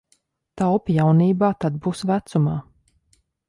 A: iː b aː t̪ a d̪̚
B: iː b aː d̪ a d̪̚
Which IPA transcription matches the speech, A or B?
A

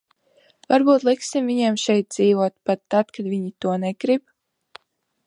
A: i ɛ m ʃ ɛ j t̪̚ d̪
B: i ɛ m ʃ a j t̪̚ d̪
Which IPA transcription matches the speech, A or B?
A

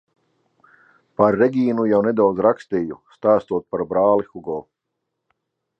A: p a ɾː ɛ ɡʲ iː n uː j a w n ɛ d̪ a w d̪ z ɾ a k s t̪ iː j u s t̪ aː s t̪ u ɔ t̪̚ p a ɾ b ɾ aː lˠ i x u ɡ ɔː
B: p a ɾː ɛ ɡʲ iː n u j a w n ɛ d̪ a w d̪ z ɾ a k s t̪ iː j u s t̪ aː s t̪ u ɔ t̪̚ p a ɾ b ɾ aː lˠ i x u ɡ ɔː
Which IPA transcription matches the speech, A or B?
B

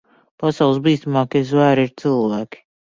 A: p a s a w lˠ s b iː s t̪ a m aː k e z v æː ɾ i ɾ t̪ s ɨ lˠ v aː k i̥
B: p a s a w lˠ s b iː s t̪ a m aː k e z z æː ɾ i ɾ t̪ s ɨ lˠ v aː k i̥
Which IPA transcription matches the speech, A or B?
A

